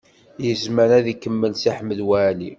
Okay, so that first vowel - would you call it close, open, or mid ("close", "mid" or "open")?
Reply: mid